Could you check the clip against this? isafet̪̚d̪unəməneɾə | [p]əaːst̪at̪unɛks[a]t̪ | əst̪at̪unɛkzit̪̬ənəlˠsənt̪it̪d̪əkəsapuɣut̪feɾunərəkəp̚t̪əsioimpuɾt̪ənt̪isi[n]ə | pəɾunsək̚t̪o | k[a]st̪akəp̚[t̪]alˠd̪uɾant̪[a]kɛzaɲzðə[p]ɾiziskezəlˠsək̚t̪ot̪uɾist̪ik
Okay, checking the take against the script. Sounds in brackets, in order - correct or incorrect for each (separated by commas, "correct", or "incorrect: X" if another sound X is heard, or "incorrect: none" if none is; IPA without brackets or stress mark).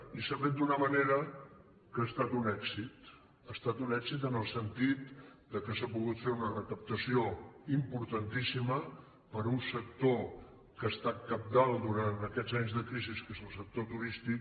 incorrect: k, incorrect: i, incorrect: m, incorrect: ə, incorrect: d̪, incorrect: ə, incorrect: k